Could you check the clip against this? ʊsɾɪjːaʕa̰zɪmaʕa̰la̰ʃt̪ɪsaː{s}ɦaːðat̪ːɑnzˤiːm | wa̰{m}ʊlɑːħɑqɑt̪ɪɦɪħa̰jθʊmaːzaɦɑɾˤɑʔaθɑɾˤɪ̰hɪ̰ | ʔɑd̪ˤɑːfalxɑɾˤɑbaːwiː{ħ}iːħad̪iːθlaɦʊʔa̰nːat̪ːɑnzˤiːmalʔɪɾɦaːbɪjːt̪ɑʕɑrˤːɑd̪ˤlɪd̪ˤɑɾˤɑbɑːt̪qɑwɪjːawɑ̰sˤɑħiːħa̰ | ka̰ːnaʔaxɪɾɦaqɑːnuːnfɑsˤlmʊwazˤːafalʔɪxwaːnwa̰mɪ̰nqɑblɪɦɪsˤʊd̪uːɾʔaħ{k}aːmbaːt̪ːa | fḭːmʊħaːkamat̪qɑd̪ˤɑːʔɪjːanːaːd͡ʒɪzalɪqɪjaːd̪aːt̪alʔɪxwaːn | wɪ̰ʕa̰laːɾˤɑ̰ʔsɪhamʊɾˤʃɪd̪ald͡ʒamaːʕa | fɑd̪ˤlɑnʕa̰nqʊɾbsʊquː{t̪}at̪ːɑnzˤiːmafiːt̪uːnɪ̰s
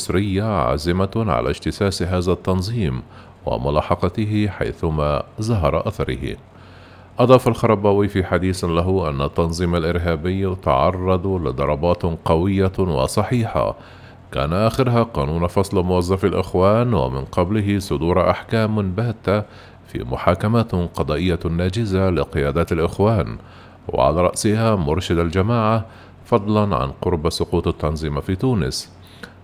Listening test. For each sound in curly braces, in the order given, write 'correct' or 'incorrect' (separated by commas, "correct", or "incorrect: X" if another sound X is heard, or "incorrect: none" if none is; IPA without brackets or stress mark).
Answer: correct, correct, incorrect: f, correct, correct